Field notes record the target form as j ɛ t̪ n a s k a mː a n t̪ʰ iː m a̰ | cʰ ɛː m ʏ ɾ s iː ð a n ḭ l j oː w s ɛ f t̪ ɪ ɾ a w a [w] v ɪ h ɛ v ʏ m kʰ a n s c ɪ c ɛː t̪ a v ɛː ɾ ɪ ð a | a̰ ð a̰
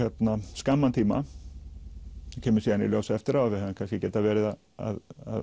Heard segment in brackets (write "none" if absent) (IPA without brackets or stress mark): none